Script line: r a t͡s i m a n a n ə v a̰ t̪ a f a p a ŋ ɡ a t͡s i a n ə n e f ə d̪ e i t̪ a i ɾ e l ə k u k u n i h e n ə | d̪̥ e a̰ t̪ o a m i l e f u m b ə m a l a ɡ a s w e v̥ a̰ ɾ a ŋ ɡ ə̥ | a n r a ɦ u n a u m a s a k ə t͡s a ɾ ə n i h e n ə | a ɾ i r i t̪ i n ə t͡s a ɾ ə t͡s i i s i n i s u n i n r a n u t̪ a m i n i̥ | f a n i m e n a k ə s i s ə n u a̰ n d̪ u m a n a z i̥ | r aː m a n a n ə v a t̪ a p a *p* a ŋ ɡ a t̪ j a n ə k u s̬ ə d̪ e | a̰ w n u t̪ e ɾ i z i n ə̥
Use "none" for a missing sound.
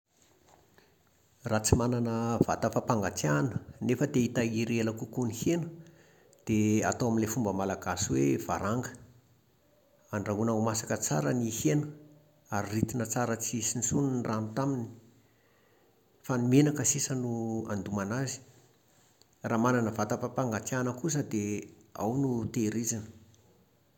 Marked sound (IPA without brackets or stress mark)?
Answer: p